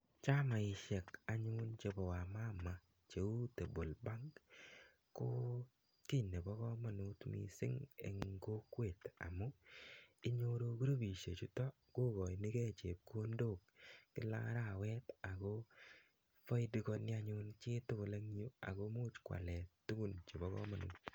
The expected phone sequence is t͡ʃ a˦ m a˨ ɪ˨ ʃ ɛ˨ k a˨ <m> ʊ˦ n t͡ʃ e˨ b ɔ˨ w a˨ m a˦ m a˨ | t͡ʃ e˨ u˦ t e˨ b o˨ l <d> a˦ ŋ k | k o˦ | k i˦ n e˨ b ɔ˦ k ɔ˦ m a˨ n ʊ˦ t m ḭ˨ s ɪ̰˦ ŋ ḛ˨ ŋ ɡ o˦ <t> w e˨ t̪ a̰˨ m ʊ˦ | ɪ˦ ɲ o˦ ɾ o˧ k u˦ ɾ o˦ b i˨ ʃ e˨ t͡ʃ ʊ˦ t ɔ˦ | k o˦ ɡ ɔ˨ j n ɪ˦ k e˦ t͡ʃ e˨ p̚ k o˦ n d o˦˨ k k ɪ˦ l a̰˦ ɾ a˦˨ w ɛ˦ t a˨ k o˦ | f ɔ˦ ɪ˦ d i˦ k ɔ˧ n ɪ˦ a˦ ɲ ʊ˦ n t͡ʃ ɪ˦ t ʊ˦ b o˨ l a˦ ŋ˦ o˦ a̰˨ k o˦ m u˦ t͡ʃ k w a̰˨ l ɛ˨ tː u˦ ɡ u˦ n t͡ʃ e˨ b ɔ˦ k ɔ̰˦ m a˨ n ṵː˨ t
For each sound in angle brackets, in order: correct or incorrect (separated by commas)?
incorrect, incorrect, incorrect